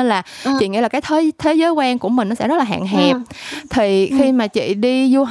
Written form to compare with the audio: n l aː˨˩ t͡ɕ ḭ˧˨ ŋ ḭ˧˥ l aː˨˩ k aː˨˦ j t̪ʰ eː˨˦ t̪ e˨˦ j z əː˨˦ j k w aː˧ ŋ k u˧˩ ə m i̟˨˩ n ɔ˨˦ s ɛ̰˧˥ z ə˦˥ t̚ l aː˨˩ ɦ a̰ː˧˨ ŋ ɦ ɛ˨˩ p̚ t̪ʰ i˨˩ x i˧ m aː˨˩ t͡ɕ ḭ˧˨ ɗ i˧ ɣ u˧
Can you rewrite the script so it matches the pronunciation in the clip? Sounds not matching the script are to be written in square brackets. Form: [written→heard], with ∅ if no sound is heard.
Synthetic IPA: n l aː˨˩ t͡ɕ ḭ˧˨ ŋ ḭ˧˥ l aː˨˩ k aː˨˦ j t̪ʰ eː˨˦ [t̪→t̪ʰ] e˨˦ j z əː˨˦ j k w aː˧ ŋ k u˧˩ ə m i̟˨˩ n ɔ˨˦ s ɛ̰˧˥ z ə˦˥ t̚ l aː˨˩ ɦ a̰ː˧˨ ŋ ɦ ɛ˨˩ p̚ t̪ʰ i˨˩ x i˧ m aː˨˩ t͡ɕ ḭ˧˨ ɗ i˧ [ɣ→z] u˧